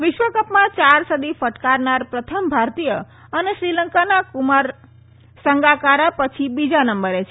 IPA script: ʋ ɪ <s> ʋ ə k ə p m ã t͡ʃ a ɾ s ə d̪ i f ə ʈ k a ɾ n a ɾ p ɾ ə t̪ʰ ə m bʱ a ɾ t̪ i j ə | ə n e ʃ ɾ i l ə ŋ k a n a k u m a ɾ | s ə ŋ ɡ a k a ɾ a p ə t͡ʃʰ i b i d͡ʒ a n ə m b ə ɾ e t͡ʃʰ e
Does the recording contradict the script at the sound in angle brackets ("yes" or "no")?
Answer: yes